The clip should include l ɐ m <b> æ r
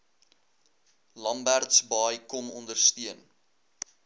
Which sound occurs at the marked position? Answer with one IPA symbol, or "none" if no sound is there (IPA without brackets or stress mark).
b